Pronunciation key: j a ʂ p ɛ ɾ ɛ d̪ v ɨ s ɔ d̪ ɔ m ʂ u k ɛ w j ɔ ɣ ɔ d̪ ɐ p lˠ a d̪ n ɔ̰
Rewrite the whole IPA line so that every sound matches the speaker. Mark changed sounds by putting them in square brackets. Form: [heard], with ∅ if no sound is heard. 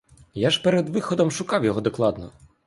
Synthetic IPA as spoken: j a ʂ p ɛ ɾ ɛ d̪ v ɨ [x] ɔ d̪ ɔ m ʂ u k [a] w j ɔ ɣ ɔ d̪ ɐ [k] lˠ a d̪ n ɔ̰